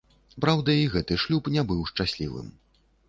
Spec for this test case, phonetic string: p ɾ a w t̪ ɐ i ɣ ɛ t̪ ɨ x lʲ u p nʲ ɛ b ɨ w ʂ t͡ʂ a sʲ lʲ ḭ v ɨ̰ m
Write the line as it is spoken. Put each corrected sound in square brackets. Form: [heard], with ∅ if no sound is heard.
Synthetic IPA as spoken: p ɾ a w [d̪] ɐ i ɣ ɛ t̪ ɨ [ʂ] lʲ u p nʲ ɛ b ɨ w ʂ t͡ʂ a sʲ lʲ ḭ v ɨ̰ m